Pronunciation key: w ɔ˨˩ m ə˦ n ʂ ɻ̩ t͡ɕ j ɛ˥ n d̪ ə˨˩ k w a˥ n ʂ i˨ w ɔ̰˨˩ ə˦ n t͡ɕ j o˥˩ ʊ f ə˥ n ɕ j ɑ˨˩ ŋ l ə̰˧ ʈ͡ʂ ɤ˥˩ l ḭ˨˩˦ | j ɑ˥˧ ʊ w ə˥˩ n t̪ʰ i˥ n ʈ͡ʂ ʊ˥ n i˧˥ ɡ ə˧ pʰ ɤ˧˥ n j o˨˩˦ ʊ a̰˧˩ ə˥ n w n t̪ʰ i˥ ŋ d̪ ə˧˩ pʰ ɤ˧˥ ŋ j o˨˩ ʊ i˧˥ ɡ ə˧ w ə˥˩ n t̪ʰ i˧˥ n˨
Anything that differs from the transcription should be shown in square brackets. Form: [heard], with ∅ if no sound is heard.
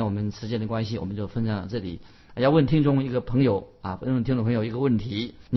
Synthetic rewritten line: w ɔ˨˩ m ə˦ n ʂ ɻ̩ t͡ɕ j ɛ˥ n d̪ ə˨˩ k w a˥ n [ɕ] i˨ w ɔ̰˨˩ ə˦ n t͡ɕ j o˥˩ ʊ f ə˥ n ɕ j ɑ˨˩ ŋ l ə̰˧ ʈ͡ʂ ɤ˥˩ l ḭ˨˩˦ | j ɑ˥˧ ʊ w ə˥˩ n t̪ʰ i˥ [ŋ] ʈ͡ʂ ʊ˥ [ŋ] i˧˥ ɡ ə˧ pʰ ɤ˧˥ [ŋ] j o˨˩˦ ʊ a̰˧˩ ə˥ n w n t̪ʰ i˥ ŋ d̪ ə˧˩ pʰ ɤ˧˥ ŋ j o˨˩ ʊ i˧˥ ɡ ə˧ w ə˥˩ n t̪ʰ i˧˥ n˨